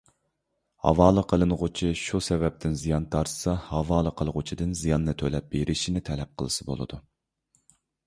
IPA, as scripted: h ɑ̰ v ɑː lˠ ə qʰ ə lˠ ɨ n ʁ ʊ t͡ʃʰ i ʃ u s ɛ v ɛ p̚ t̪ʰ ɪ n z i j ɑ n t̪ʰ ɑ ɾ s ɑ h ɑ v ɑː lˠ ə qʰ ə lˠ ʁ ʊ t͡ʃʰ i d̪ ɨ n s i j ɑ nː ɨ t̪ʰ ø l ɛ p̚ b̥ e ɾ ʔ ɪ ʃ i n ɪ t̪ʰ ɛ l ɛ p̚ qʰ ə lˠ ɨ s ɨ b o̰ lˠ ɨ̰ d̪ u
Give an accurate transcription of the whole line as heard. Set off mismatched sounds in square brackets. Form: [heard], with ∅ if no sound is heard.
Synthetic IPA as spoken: h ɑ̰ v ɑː lˠ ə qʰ ə lˠ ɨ n ʁ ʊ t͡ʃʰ i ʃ u s ɛ v ɛ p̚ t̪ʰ ɪ n z i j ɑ n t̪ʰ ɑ ɾ s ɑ h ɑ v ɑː lˠ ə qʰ ə lˠ ʁ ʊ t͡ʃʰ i d̪ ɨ n [z] i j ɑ nː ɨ t̪ʰ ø l ɛ p̚ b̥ e ɾ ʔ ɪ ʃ i n ɪ t̪ʰ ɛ l ɛ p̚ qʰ ə lˠ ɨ s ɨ b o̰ lˠ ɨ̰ d̪ u